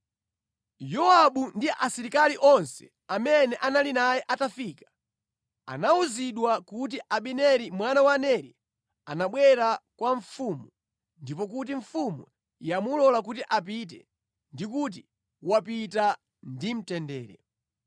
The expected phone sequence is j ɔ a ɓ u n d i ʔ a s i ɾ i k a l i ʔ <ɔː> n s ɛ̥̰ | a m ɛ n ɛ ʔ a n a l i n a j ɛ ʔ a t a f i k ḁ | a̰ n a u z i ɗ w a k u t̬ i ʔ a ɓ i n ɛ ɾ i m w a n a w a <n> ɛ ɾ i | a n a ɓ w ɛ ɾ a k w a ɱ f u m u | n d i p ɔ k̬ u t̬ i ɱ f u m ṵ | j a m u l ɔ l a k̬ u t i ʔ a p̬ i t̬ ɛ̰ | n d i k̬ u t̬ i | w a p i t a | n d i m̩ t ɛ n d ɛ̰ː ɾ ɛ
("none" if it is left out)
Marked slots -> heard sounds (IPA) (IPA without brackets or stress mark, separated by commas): ɔ, n